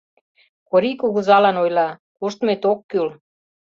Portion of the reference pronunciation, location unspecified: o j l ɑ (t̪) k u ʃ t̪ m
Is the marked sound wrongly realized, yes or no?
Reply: yes